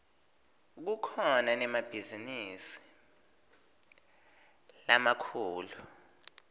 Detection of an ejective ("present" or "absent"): absent